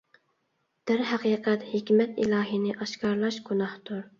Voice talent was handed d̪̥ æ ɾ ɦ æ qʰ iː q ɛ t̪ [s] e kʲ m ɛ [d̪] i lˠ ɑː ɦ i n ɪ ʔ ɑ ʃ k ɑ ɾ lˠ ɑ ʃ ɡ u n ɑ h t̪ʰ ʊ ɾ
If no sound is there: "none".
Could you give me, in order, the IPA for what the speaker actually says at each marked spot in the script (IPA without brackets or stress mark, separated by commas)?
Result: h, t̪